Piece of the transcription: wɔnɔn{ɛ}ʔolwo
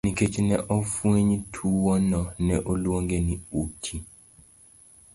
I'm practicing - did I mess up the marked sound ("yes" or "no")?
no